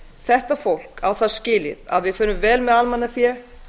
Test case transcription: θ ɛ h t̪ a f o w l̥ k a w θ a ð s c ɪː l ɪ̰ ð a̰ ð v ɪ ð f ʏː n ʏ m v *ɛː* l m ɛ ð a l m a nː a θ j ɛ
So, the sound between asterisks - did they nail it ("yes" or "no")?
yes